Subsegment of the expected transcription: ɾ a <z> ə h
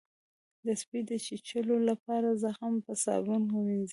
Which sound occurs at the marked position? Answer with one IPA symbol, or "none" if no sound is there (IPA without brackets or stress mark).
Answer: z